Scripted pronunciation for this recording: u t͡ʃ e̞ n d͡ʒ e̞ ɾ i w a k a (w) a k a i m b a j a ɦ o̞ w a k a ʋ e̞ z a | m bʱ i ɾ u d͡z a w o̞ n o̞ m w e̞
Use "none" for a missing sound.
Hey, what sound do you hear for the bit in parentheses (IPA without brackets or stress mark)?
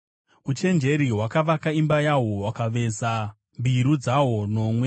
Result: ʋ